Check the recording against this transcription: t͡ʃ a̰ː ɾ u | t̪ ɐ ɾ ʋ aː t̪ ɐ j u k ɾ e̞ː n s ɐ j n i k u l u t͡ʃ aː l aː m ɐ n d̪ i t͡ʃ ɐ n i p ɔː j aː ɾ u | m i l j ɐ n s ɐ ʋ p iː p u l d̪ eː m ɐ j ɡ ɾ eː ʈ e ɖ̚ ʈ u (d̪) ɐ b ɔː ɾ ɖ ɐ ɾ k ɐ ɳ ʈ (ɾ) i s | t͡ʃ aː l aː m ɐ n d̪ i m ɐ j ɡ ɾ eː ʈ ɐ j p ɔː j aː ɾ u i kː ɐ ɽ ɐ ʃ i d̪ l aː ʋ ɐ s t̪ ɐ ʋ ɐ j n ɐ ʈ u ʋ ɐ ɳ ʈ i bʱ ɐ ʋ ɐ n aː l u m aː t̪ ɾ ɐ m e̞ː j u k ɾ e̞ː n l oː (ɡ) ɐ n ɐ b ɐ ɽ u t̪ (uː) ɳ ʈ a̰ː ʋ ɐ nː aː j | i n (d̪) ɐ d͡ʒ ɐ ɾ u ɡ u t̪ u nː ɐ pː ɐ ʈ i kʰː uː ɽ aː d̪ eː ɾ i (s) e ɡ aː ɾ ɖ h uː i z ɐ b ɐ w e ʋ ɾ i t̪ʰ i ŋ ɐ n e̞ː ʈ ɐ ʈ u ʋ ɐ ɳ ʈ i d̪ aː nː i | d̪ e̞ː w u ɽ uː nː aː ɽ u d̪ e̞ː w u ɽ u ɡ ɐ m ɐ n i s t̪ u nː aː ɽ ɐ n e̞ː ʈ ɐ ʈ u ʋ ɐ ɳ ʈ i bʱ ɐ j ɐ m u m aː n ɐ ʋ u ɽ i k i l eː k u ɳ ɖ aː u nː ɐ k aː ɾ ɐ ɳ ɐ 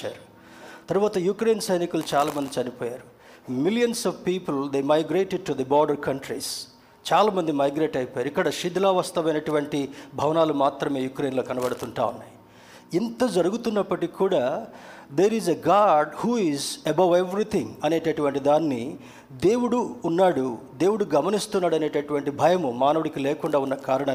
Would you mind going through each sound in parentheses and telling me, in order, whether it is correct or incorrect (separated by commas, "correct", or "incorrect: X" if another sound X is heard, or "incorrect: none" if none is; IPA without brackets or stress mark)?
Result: correct, correct, incorrect: k, incorrect: u, incorrect: t̪, incorrect: z